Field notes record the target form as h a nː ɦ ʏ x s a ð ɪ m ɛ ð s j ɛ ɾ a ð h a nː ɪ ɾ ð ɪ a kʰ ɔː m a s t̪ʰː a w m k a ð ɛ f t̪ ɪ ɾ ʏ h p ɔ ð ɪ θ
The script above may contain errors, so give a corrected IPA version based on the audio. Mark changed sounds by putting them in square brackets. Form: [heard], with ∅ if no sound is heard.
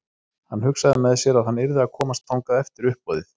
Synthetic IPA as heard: h a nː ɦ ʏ [k] s a ð ɪ m ɛ ð s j ɛ ɾ a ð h a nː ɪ ɾ ð ɪ a kʰ ɔː m a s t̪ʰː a w [ŋ] k a ð ɛ f t̪ ɪ ɾ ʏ h p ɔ ð ɪ θ